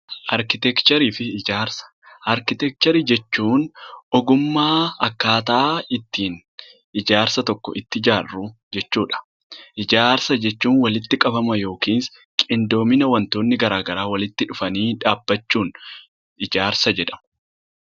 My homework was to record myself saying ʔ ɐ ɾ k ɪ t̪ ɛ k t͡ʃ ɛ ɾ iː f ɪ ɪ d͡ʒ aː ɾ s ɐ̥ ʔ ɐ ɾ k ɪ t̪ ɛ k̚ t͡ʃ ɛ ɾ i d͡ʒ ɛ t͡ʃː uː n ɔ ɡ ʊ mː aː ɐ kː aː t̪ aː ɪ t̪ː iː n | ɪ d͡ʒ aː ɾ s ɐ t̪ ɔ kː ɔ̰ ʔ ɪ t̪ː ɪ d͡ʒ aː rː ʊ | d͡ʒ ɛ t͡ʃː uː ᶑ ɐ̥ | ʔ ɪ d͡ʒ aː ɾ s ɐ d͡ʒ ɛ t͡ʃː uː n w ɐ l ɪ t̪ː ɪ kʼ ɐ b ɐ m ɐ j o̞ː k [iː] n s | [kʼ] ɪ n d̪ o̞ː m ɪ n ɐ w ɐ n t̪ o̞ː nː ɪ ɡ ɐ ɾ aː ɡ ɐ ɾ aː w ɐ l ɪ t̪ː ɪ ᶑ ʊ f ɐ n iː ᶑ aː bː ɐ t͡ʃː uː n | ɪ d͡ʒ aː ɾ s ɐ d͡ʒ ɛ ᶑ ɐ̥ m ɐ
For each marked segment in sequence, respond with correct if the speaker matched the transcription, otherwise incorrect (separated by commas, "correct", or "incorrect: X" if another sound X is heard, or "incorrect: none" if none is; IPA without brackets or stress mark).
correct, correct